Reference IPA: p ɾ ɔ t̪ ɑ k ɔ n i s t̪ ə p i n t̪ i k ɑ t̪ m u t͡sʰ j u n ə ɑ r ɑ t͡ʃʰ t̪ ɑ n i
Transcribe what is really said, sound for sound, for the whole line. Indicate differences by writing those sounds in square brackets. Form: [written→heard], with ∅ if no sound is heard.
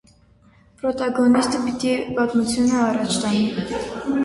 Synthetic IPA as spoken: p ɾ ɔ t̪ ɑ [k→ɡ] ɔ n i s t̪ ə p i [n→∅] t̪ i [k→p] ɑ t̪ m u t͡sʰ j u n ə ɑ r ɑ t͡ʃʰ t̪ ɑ n i